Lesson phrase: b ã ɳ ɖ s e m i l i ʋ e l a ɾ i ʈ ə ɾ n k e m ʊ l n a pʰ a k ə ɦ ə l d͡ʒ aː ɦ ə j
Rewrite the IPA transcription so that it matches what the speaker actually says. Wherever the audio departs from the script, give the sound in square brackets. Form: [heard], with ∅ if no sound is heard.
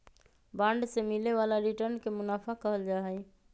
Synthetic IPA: b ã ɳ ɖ s e m i l [e] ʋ [a] l a ɾ i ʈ ə ɾ n k e m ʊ [∅] n a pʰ a k ə ɦ ə l d͡ʒ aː ɦ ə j